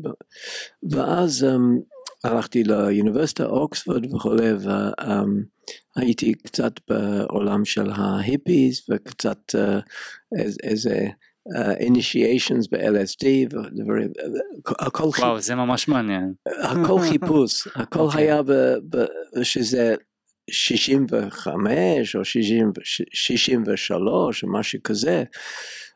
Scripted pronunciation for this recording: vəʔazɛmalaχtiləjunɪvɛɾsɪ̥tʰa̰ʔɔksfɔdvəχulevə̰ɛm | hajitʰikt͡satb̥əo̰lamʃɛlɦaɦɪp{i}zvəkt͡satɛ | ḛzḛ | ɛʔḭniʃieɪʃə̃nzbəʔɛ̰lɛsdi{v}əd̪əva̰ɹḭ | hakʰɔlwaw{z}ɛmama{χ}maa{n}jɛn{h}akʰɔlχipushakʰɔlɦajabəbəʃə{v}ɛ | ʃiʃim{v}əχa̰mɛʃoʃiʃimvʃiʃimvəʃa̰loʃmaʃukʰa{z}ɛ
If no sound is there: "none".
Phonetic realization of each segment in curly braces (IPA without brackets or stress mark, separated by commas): i, v, z, ʃ, n, h, z, v, z